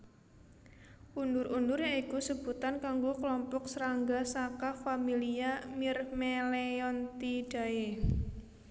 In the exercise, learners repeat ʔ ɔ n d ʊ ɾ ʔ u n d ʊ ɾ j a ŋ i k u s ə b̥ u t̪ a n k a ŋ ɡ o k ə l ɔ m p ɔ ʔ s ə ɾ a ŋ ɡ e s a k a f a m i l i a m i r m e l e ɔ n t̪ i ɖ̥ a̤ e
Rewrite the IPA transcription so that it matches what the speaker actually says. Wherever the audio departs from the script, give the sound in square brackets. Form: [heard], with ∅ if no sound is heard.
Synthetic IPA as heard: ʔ [u] n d ʊ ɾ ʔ u n d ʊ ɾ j a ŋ i k u s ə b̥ u t̪ a n k a ŋ ɡ o k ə l ɔ m p ɔ [k] s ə ɾ a ŋ ɡ [a] s a k a f a m i l i a m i r m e l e ɔ n t̪ i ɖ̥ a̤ e